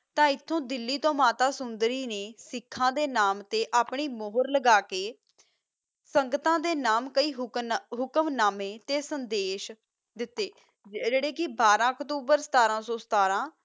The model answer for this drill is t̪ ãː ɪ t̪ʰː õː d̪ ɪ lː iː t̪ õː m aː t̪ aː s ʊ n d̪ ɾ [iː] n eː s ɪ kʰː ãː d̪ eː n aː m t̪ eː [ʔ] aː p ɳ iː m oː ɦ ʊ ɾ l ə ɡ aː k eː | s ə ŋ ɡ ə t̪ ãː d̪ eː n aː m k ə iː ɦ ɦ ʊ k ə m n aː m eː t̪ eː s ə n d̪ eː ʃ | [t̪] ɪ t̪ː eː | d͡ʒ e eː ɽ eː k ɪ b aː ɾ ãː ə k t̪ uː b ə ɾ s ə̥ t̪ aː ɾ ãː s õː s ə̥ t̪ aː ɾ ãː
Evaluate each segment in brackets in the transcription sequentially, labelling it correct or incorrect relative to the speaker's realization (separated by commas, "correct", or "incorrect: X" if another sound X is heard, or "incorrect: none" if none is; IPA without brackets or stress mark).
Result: correct, correct, incorrect: d̪